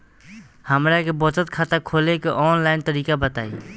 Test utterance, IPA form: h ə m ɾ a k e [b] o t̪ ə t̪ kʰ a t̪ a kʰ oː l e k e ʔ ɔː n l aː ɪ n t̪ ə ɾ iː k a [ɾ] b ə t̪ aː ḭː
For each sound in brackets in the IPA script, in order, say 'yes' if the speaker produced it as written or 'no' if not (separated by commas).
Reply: yes, no